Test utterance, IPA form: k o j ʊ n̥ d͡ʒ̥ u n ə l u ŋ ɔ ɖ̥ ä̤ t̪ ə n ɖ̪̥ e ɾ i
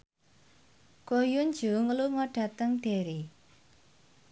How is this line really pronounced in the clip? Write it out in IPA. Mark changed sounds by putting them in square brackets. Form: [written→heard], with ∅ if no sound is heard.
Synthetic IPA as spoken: k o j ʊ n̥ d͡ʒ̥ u [n→ŋ] ə l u ŋ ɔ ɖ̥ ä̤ t̪ ə [n→ŋ] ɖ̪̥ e ɾ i